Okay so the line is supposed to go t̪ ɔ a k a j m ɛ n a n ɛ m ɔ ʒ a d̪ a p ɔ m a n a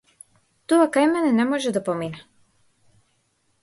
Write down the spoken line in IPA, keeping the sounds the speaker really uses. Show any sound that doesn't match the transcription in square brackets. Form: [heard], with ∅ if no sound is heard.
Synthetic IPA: t̪ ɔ a k a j m ɛ n [ɛ] n ɛ m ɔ ʒ [ɛ] d̪ a p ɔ m [i] n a